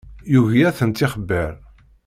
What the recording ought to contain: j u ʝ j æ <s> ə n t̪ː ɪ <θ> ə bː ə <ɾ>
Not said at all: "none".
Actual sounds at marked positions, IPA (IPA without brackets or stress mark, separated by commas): θ, χ, ɾ